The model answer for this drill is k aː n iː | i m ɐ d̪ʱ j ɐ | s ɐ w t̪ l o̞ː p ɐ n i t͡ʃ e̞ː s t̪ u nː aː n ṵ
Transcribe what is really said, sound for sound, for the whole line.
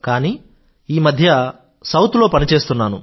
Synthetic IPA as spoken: k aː n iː | iː m ɐ d̪ʱ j ɐ | s ɐ w t̪ l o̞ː p ɐ n i t͡ʃ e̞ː s t̪ u nː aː n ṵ